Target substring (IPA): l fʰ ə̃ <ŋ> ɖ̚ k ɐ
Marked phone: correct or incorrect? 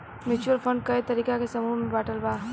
incorrect: ɳ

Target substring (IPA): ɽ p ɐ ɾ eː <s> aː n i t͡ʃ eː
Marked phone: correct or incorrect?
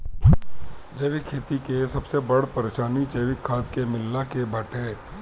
incorrect: ʃ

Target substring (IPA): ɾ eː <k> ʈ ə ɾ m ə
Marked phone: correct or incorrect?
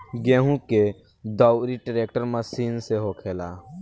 correct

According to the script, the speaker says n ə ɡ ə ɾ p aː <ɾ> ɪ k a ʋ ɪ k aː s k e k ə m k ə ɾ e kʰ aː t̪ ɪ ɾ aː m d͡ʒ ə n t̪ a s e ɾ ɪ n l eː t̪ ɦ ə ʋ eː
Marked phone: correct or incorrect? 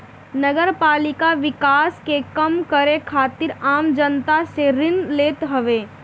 incorrect: l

